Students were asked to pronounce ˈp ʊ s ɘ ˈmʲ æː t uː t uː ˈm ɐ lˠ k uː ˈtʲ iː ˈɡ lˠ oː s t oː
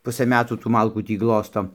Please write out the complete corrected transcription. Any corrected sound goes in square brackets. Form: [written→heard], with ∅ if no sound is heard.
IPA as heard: ˈp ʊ s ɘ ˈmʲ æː t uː t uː ˈm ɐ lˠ k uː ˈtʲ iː ˈɡ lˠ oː s t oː